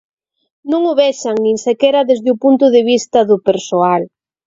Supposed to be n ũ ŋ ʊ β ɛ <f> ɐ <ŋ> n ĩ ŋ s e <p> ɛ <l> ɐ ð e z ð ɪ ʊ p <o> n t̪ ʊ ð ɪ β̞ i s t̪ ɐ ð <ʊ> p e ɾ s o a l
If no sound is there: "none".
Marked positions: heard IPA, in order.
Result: ʃ, ŋ, k, ɾ, u, ʊ

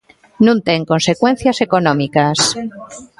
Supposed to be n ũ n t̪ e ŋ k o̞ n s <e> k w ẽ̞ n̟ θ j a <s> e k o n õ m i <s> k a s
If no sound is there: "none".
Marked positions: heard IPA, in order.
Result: e, s, none

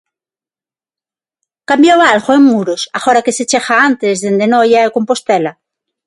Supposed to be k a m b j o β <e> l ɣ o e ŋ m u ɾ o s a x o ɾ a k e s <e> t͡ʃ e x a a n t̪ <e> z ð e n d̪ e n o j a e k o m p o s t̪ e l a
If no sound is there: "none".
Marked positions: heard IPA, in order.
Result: a, e, e

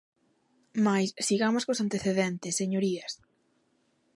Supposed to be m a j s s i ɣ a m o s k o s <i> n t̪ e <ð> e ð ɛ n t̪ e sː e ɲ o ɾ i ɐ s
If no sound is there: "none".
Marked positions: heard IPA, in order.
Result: a, θ

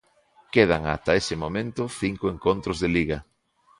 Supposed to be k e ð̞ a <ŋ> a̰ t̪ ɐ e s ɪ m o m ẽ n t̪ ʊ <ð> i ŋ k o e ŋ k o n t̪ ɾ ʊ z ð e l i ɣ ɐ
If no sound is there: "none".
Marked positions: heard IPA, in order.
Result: ŋ, θ

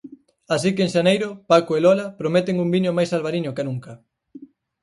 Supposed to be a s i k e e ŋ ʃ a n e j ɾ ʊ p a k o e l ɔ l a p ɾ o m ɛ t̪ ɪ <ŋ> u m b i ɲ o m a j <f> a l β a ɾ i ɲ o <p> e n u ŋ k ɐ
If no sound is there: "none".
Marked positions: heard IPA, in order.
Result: ŋ, s, k

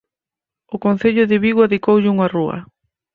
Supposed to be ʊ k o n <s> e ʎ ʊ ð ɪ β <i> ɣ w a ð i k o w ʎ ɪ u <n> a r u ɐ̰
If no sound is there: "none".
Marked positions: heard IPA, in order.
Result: θ, i, ŋ

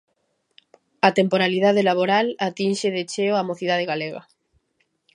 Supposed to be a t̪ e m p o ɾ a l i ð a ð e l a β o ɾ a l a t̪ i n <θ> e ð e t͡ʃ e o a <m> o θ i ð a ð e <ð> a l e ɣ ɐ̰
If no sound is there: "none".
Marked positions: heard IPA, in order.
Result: ʃ, m, ɣ

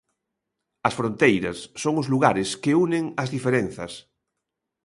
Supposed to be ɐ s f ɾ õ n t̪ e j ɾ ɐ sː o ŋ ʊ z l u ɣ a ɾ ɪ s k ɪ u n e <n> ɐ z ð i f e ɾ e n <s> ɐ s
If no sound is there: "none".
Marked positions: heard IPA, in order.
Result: ŋ, θ

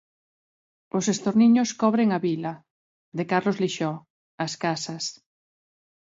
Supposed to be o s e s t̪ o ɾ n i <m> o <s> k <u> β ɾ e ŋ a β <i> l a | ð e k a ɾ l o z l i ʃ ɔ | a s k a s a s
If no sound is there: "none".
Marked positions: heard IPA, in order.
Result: ɲ, s, ɔ, i

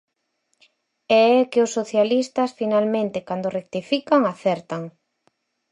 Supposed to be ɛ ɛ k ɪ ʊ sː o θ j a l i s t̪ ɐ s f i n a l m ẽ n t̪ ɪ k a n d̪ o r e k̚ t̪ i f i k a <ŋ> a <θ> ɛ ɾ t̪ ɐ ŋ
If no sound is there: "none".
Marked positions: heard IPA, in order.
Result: ŋ, θ

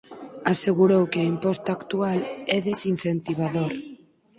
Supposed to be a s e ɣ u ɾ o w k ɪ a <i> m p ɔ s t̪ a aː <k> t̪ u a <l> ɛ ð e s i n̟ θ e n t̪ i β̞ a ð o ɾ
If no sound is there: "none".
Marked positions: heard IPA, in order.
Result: i, k, l

